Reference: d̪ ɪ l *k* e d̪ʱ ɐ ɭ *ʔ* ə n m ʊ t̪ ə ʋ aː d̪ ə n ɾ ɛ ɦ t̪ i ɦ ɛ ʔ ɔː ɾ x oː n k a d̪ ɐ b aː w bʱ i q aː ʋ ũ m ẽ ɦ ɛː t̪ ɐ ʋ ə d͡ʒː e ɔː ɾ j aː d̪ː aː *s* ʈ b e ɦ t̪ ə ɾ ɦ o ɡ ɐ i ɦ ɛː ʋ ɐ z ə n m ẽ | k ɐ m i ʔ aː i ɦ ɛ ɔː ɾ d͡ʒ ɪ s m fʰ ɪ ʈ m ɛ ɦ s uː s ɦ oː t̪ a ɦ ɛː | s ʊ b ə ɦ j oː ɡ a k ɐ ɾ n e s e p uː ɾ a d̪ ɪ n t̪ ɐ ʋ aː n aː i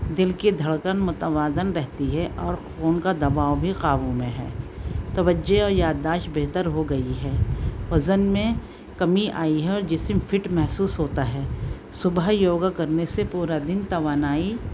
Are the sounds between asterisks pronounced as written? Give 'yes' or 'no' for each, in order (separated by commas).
yes, no, no